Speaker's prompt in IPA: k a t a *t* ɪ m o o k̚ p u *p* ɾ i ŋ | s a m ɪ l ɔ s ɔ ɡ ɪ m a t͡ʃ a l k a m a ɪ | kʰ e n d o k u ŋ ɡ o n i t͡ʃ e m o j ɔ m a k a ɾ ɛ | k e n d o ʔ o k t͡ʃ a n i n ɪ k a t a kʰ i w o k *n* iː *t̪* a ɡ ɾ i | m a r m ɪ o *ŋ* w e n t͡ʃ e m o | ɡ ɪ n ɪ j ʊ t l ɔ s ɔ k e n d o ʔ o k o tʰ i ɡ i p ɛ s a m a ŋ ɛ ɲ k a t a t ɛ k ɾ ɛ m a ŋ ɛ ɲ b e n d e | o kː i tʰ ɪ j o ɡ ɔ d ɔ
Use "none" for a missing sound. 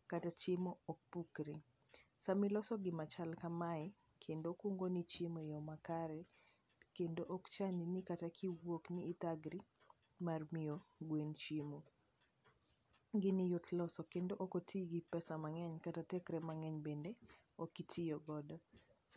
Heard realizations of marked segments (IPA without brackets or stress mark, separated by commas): t͡ʃ, k, n, t̪, ɡ